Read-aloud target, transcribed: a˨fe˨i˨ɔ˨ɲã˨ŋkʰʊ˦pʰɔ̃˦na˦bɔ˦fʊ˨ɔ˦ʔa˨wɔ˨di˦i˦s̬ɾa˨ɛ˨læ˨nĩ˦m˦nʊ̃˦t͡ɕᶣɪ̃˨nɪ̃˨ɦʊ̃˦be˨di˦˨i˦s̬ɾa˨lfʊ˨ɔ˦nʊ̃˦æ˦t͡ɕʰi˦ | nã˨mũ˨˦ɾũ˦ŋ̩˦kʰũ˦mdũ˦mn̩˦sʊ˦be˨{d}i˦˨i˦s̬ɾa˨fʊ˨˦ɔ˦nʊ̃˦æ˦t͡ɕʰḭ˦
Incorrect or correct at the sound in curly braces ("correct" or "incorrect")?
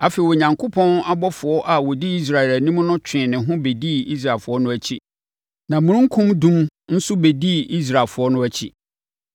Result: correct